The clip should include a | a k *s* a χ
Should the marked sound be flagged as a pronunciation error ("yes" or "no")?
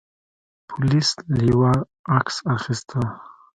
no